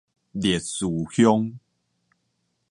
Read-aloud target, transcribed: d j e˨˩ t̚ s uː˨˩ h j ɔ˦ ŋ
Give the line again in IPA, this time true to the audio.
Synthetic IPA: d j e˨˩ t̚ s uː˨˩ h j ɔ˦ ŋ